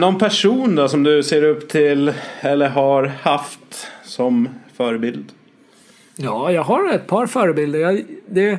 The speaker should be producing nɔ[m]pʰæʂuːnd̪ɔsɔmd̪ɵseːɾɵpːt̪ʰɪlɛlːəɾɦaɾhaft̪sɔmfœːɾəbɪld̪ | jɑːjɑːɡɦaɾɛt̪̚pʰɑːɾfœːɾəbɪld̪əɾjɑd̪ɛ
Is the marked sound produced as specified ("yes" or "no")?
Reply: no